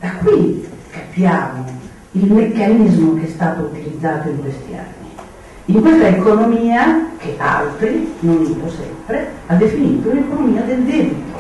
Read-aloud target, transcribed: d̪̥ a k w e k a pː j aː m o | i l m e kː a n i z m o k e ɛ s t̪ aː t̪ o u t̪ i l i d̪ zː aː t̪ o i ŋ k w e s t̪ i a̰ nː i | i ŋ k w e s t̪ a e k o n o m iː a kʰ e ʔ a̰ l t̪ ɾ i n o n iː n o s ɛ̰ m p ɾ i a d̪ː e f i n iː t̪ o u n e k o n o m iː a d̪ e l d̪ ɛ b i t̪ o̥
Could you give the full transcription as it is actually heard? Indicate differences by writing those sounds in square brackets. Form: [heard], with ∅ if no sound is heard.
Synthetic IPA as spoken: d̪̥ a k w [i] k a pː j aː m o | i l m e kː a n i z m o k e ɛ s t̪ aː t̪ o u t̪ i l i d̪ zː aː t̪ o i ŋ k w e s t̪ i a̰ nː i | i ŋ k w e s t̪ a e k o n o m iː a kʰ e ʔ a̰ l t̪ ɾ i n o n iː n o s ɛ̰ m p ɾ [e] a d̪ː e f i n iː t̪ o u n e k o n o m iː a d̪ e l d̪ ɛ b i t̪ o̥